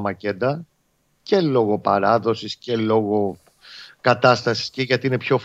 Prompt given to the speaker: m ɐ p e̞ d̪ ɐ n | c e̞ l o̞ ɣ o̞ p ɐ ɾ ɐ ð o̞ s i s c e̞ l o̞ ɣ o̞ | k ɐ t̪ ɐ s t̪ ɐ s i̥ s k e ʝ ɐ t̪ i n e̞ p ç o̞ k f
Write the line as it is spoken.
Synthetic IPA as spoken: m ɐ c e̞ d̪ ɐ | c e̞ l o̞ ɣ o̞ p ɐ ɾ ɐ ð o̞ s i s c e̞ l o̞ ɣ o̞ | k ɐ t̪ ɐ s t̪ ɐ s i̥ s c e ʝ ɐ t̪ i n e̞ p ç o̞ f